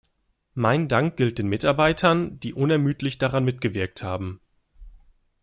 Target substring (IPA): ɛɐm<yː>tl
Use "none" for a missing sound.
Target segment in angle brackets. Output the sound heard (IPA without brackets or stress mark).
yː